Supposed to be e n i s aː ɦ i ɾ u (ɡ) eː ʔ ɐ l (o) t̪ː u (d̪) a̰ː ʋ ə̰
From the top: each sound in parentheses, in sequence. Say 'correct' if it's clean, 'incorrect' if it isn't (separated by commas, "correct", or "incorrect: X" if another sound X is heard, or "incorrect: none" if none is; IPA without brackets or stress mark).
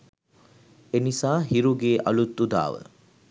correct, incorrect: u, correct